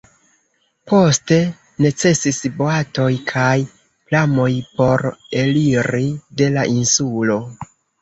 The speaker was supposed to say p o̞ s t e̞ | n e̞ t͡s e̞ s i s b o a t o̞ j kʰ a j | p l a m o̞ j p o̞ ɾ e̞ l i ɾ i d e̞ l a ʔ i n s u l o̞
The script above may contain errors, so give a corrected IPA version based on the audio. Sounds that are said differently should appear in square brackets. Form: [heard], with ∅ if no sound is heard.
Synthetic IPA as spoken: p o̞ s t e̞ | n e̞ t͡s e̞ s i s b o a t o̞ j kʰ a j | p l a m o̞ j p o̞ ɾ e̞ l i ɾ i d e̞ l a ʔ i n s u l o̞